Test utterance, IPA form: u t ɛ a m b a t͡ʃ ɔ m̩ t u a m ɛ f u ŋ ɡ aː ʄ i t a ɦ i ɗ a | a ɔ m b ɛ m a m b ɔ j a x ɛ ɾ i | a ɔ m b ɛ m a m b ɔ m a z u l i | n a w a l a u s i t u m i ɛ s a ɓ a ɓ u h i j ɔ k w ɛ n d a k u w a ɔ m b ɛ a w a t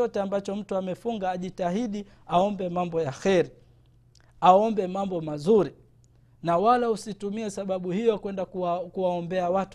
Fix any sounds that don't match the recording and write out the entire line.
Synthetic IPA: ɔ t ɛ a m b a t͡ʃ ɔ m̩ t u a m ɛ f u ŋ ɡ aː ʄ i t a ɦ i ɗ i | a ɔ m b ɛ m a m b ɔ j a x ɛ ɾ i | a ɔ m b ɛ m a m b ɔ m a z u ɾ i | n a w a l a u s i t u m i ɛ s a ɓ a ɓ u h i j ɔ k w ɛ n d a k u w a ɔ m b ɛ a w a t